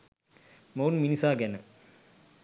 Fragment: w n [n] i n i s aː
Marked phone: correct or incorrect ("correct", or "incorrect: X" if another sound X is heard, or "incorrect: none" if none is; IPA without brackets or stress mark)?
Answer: incorrect: m